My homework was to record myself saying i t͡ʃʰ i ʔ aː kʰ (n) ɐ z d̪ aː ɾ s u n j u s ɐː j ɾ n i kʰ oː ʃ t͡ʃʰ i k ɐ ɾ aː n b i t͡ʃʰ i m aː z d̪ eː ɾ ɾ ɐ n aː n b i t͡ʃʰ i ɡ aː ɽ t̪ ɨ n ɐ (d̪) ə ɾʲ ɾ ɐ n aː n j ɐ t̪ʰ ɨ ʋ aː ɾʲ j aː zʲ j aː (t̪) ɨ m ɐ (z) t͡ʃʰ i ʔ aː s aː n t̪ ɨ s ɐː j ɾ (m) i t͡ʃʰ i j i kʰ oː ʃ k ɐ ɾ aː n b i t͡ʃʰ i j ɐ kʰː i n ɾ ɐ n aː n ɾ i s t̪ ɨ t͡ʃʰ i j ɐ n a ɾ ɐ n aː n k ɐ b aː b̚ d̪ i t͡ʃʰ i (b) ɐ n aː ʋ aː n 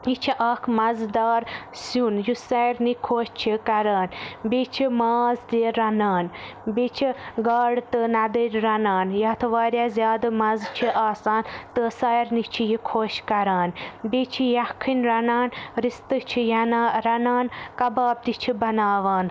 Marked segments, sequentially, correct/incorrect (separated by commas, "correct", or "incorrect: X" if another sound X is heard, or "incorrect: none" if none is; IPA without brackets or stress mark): incorrect: m, correct, incorrect: d̪, correct, incorrect: n, correct